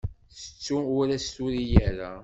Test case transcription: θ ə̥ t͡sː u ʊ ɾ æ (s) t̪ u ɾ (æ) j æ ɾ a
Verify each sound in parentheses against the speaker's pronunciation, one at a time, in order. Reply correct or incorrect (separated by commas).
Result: correct, incorrect